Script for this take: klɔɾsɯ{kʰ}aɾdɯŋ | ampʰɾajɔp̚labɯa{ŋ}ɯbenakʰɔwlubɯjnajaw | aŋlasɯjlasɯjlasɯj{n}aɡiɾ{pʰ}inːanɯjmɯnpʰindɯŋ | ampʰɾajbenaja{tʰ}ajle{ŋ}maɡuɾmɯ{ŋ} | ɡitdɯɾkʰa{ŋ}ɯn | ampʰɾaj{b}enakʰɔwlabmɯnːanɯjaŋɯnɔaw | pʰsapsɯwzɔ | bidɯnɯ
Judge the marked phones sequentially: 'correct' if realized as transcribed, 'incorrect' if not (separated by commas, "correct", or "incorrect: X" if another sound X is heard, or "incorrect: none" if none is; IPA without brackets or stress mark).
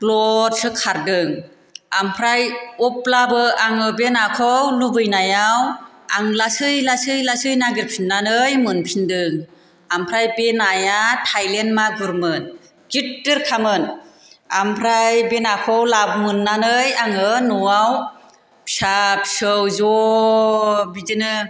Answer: correct, correct, correct, correct, correct, incorrect: n, incorrect: n, incorrect: m, correct